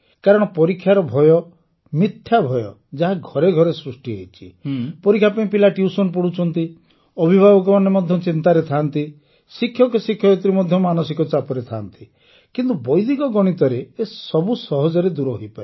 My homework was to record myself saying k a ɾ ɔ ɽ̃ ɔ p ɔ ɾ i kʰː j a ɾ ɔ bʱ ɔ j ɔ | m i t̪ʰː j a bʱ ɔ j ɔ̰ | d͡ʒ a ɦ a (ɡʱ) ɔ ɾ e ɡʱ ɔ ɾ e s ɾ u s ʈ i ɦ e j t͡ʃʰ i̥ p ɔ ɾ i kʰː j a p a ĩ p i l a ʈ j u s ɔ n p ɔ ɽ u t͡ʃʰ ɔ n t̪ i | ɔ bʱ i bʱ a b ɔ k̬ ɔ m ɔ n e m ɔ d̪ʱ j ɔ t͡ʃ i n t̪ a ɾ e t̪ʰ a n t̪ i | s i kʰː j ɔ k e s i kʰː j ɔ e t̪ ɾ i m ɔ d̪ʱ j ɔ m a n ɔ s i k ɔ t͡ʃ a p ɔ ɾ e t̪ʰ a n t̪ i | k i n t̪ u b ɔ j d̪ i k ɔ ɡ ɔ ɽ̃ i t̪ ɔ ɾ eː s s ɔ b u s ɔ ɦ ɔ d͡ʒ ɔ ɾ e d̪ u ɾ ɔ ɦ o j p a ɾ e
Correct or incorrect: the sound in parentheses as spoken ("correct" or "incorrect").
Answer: correct